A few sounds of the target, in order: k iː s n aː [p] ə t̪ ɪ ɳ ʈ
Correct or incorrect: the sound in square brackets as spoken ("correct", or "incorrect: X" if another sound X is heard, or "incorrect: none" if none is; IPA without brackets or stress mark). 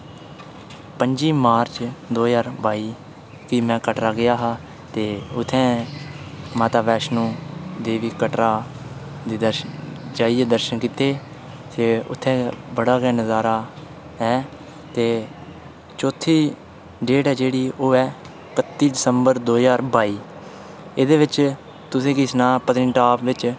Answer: correct